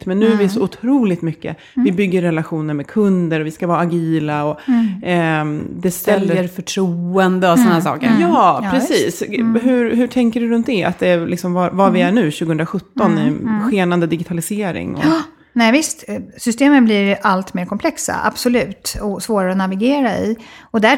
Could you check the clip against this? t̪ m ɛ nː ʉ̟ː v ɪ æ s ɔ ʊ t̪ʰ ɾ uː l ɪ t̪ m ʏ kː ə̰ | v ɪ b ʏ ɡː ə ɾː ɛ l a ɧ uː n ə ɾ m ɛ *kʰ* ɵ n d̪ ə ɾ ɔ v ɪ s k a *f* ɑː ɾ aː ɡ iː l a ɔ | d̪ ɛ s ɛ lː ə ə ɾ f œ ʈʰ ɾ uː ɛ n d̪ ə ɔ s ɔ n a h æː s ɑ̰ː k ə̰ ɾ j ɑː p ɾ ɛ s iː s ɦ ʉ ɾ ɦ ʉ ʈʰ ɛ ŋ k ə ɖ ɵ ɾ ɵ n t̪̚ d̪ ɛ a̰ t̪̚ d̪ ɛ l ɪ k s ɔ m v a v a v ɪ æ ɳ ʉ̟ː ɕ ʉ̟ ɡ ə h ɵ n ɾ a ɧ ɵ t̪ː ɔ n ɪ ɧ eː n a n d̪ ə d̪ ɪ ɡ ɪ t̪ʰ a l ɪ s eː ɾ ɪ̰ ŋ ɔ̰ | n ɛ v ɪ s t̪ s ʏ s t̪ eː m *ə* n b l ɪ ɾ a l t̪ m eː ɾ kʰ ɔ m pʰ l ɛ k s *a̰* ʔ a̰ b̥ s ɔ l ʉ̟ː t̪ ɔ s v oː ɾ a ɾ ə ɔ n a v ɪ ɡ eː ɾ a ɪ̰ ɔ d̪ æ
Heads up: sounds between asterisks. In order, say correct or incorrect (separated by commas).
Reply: correct, incorrect, correct, correct